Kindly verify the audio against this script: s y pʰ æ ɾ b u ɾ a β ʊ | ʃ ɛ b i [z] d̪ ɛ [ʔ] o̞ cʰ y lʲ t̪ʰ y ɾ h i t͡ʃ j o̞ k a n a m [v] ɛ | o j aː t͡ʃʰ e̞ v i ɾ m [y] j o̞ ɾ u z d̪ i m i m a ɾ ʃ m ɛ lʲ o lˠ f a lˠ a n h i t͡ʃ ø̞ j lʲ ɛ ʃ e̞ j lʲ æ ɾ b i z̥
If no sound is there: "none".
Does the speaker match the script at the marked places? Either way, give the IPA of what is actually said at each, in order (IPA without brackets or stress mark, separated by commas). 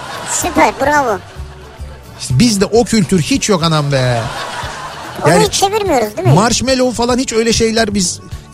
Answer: z, ʔ, b, i